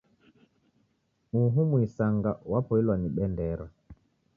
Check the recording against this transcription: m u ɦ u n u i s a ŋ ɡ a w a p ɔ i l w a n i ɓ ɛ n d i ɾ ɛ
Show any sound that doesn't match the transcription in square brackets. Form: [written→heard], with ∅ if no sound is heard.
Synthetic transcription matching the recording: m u ɦ u [n→m] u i s a ŋ ɡ a w a p ɔ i l w a n i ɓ ɛ n d [i→ɛ] ɾ [ɛ→a]